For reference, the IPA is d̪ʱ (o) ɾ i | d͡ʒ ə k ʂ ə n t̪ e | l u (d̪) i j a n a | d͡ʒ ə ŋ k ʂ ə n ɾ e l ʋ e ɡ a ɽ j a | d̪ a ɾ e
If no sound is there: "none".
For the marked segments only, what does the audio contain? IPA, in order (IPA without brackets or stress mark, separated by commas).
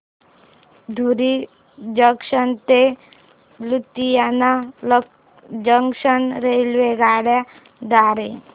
u, t̪